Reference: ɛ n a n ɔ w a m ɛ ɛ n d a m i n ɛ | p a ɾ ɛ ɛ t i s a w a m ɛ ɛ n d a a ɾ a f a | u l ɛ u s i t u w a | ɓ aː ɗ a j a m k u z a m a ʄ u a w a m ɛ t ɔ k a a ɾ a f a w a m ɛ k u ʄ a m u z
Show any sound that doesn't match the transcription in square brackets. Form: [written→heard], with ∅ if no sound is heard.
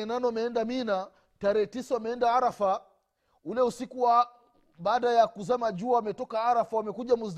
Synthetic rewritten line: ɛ n a n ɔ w a m ɛ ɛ n d a m i n [ɛ→a] | [p→t] a ɾ ɛ ɛ t i s a w a m ɛ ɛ n d a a ɾ a f a | u l ɛ u s i [t→k] u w a | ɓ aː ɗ a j a [m→∅] k u z a m a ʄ u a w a m ɛ t ɔ k a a ɾ a f a w a m ɛ k u ʄ a m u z